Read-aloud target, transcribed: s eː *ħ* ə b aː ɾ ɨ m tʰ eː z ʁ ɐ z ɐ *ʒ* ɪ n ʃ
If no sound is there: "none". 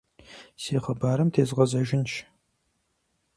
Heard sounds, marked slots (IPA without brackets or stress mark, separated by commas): χ, ʒ